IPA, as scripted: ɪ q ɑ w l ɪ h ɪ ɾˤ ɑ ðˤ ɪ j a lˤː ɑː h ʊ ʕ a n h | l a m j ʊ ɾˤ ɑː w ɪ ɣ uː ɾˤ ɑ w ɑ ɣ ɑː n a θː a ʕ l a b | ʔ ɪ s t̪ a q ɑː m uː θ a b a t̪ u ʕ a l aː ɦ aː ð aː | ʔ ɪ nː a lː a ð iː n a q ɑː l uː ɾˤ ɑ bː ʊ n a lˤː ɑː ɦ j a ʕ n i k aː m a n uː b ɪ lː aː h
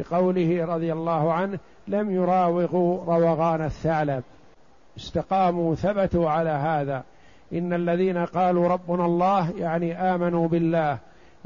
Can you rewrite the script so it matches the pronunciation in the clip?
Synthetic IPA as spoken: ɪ q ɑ w l ɪ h ɪ ɾˤ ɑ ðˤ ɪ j a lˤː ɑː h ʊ ʕ a n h | l a m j ʊ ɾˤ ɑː w ɪ ɣ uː ɾˤ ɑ w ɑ ɣ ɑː n a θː a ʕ l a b | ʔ ɪ s t̪ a q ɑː m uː θ a b a t̪ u ʕ a l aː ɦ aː ð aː | ʔ ɪ nː a lː a ð iː n a q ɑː l uː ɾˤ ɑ bː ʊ n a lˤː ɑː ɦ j a ʕ n i ʔ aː m a n uː b ɪ lː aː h